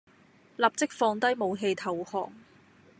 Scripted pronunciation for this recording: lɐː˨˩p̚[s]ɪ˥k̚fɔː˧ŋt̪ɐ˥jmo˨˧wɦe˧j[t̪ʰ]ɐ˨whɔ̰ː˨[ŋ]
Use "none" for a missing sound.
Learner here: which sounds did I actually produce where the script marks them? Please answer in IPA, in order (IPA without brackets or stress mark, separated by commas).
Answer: t͡s, t̪ʰ, ŋ